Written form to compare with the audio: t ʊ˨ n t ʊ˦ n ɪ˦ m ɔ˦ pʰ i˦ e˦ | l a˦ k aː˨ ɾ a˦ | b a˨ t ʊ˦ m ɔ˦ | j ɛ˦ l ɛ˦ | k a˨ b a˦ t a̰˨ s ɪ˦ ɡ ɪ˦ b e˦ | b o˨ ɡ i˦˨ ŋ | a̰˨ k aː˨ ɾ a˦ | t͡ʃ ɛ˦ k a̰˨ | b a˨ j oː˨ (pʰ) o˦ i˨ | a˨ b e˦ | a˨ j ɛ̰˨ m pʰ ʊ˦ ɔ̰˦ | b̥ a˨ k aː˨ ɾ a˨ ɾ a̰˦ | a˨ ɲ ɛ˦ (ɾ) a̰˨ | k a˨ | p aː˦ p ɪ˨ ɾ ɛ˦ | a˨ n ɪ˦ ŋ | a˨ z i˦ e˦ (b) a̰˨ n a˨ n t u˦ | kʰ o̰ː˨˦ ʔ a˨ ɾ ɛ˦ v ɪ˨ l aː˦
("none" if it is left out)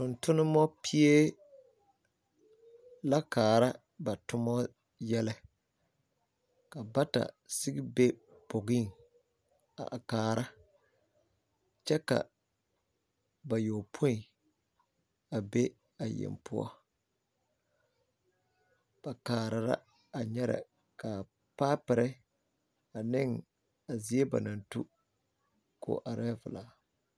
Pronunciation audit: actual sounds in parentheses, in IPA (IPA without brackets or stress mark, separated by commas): pʰ, ɾ, b